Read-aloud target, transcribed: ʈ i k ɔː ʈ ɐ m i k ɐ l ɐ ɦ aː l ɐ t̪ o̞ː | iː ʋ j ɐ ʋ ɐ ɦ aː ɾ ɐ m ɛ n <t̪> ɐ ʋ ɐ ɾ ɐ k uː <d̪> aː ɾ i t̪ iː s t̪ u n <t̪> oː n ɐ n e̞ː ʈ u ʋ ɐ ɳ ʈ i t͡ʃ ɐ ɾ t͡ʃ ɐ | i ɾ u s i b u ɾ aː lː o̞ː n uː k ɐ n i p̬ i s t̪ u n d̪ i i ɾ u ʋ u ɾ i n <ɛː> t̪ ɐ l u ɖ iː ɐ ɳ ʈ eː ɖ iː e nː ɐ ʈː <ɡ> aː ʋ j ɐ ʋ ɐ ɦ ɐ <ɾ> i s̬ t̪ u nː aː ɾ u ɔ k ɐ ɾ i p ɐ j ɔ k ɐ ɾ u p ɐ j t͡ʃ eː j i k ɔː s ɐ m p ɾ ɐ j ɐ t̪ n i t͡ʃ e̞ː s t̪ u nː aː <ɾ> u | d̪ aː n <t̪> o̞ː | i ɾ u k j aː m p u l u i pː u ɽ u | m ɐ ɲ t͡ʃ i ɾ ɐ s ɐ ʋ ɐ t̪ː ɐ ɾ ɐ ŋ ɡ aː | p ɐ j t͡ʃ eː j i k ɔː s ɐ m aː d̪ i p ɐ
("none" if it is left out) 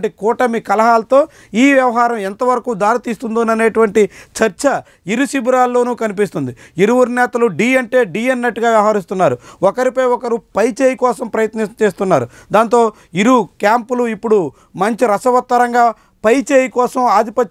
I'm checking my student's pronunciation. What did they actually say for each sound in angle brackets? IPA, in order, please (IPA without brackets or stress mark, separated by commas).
t̪, d̪, d̪, ɛː, ɡ, ɾ, ɾ, t̪